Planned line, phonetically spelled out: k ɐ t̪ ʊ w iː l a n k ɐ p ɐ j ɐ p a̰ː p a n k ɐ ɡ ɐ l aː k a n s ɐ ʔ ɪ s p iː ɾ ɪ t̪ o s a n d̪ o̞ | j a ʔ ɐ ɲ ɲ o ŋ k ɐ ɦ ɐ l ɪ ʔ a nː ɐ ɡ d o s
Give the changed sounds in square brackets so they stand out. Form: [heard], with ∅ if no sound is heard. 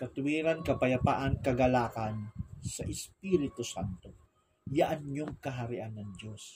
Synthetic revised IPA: k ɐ t̪ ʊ w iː [ɾ] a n k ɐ p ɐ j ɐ p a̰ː [ʔ] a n k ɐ ɡ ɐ l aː k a n s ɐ ʔ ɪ s p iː ɾ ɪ t̪ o s a n [t̪] o̞ | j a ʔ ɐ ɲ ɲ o ŋ k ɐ ɦ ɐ [ɾ] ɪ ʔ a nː ɐ [ŋ] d o s